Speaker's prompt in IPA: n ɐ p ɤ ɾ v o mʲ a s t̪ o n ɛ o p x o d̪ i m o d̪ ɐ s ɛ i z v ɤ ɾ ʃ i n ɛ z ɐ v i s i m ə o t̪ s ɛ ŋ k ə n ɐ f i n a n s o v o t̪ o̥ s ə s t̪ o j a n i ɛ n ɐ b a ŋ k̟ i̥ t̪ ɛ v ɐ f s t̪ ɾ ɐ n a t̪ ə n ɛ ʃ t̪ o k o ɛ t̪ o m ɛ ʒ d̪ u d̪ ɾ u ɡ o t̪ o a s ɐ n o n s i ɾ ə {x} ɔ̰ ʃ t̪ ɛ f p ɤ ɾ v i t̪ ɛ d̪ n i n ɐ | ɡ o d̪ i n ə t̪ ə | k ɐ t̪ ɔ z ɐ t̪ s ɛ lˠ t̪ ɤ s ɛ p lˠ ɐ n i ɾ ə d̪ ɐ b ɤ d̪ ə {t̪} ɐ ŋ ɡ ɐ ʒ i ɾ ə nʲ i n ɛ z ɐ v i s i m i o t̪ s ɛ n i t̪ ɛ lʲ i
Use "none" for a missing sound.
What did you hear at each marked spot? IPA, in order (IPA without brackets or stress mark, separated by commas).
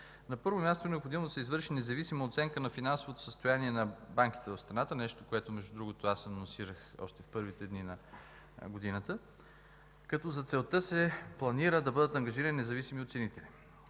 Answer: x, t̪